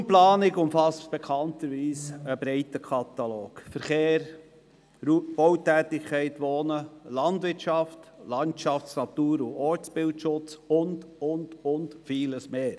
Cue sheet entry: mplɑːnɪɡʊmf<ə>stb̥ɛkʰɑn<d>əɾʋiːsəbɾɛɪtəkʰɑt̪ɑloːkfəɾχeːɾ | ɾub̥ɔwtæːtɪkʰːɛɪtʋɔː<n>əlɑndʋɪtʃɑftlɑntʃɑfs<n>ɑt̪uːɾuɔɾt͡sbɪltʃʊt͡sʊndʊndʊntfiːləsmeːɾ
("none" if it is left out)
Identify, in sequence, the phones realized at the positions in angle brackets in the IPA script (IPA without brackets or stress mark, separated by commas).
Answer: ɑ, t, n, n